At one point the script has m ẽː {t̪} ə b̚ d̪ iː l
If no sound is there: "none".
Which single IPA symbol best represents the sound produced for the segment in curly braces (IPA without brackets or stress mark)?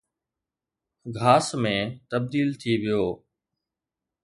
t̪